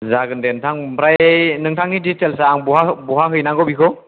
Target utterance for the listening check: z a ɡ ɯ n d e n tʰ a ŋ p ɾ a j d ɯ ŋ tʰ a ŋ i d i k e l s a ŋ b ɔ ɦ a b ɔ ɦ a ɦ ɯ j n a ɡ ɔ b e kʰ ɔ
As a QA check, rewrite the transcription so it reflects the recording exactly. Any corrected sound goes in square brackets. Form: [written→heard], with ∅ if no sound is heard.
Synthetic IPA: z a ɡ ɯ n d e n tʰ a ŋ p ɾ a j [d→n] ɯ ŋ tʰ a ŋ i d i [k→t] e l s a ŋ b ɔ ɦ a b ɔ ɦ a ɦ ɯ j n a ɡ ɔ b [e→i] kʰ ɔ